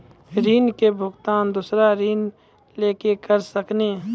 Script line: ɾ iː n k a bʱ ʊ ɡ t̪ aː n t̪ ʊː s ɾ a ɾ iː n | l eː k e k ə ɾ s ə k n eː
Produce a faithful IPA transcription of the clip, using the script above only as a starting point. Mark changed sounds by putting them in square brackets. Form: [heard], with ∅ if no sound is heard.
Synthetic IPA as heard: ɾ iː n k [e] bʱ ʊ ɡ t̪ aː n [d̪] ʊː s ɾ a ɾ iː n | l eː k e k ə ɾ s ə k n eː